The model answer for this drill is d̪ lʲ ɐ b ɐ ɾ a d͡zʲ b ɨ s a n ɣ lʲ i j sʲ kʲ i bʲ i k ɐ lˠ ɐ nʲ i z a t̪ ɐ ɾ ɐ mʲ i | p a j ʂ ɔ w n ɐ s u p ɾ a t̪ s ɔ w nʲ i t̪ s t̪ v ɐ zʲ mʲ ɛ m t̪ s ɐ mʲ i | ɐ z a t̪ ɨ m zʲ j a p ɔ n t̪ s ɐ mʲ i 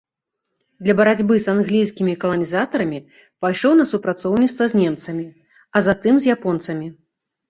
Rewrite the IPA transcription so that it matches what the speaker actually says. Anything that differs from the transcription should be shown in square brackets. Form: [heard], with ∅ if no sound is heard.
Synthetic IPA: d̪ lʲ ɐ b ɐ ɾ a d͡zʲ b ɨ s a n ɣ lʲ i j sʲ kʲ i [mʲ] i k ɐ lˠ ɐ nʲ i z a t̪ ɐ ɾ ɐ mʲ i | p a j ʂ ɔ w n ɐ s u p ɾ a t̪ s ɔ w nʲ i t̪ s t̪ v ɐ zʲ [nʲ] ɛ m t̪ s ɐ mʲ i | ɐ z a t̪ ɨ m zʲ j a p ɔ n t̪ s ɐ mʲ i